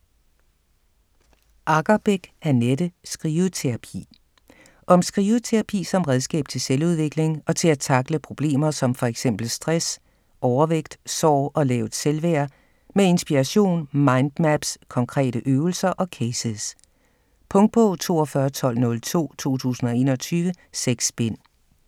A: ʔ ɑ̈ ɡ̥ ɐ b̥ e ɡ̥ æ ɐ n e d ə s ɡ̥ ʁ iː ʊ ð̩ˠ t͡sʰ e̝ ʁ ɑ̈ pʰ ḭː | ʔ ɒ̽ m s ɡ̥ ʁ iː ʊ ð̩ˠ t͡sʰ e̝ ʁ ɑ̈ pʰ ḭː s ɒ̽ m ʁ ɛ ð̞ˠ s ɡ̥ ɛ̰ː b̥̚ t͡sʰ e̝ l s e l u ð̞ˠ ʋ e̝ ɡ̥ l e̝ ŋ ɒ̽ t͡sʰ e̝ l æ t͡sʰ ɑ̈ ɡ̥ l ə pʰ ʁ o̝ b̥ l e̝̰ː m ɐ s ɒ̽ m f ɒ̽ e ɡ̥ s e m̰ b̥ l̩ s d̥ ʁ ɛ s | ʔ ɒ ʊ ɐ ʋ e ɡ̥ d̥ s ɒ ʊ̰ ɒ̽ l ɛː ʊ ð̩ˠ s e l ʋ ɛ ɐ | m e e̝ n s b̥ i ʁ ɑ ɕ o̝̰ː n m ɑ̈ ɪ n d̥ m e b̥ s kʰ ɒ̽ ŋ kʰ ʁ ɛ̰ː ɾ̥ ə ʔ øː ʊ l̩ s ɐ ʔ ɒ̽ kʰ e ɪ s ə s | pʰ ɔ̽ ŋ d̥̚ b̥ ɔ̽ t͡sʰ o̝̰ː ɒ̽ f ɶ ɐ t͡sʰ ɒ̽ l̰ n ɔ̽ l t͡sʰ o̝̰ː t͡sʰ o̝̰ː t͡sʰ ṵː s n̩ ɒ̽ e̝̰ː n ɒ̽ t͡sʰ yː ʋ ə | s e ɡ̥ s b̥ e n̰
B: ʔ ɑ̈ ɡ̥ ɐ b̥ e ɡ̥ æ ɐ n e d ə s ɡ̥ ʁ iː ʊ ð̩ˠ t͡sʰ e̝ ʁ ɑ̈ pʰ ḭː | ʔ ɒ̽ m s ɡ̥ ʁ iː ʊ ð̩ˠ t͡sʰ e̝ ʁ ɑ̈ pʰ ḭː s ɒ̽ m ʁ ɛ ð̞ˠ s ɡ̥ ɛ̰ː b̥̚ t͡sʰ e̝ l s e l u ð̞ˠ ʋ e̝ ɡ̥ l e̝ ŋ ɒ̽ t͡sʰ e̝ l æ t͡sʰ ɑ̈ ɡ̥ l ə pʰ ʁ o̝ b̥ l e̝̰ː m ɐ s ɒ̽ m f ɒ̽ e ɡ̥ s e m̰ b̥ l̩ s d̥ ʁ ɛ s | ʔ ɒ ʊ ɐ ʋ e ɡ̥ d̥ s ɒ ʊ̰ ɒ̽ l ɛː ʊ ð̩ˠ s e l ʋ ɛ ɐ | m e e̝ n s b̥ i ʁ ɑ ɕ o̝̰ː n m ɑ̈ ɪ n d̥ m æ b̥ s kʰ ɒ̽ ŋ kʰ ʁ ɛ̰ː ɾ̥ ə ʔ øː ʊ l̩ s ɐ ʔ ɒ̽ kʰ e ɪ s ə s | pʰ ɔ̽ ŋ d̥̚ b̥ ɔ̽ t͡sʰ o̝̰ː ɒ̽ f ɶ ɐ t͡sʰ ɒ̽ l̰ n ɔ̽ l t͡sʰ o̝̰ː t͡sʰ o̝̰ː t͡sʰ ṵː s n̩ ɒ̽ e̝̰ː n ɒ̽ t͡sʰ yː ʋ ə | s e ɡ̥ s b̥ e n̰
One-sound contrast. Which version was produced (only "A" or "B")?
B